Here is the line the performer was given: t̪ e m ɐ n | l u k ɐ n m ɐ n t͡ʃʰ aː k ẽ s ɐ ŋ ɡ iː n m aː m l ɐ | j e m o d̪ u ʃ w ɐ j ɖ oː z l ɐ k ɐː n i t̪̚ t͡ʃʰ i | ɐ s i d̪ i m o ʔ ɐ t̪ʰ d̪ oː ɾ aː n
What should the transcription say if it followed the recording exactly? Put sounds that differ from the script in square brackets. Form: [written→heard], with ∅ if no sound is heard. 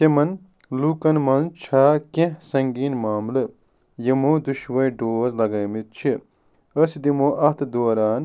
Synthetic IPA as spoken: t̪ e m ɐ n | l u k ɐ n m ɐ n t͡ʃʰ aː k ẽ s ɐ ŋ ɡ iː n m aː m l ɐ | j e m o d̪ u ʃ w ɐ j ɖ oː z l ɐ [k→ɡ] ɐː [n→m] i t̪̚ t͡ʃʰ i | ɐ s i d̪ i m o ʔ ɐ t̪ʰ d̪ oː ɾ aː n

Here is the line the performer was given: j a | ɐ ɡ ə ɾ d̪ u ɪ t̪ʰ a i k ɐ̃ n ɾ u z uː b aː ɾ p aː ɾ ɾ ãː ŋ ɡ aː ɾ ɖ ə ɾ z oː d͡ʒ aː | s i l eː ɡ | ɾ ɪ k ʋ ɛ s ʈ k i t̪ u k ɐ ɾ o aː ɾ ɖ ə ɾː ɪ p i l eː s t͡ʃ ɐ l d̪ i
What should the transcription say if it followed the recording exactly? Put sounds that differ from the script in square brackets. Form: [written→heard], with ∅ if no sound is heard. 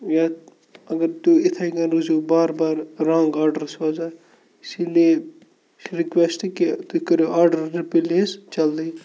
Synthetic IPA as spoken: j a | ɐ ɡ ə ɾ [d̪→t̪] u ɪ t̪ʰ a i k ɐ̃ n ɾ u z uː b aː ɾ [p→b] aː ɾ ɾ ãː ŋ ɡ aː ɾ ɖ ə ɾ [z→s] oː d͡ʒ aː | s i l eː [ɡ→∅] | ɾ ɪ k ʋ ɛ s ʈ k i t̪ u k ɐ ɾ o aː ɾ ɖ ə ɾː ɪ p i l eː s t͡ʃ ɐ l d̪ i

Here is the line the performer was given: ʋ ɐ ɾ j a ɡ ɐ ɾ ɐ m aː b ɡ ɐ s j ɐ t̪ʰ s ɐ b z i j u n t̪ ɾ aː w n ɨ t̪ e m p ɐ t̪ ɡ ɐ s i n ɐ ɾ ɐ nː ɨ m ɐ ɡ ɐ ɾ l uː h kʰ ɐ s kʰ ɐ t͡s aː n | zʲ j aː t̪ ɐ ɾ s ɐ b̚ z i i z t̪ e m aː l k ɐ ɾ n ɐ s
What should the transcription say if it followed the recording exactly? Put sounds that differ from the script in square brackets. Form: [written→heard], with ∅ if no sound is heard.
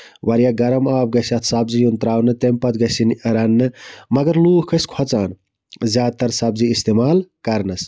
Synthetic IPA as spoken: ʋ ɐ ɾ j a ɡ ɐ ɾ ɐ m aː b ɡ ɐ s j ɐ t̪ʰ s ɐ b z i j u n t̪ ɾ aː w n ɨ t̪ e m p ɐ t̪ ɡ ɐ s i n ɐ ɾ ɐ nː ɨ m ɐ ɡ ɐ ɾ l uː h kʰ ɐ s kʰ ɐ t͡s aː n | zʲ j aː t̪ ɐ ɾ s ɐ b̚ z i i [z→s] t̪ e m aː l k ɐ ɾ n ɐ s

